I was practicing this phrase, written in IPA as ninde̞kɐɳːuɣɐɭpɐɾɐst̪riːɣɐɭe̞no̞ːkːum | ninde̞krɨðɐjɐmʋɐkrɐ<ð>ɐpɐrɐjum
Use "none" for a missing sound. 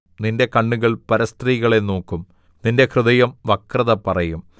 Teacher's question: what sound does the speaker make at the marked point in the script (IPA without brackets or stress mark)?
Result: ð